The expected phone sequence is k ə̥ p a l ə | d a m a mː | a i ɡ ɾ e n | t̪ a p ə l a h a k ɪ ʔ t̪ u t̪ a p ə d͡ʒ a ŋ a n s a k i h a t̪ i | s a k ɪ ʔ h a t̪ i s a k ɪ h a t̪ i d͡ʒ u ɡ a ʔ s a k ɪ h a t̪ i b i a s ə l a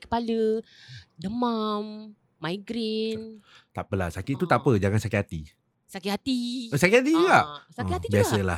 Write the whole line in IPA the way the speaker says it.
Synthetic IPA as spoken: k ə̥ p a l ə | d ə m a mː | a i ɡ ɾ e n | t̪ a p ə l a s a k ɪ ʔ t̪ u t̪ a p ə d͡ʒ a ŋ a n s a k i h a t̪ i | s a k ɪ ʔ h a t̪ i s a k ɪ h a t̪ i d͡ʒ u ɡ a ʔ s a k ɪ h a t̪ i b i a s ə l a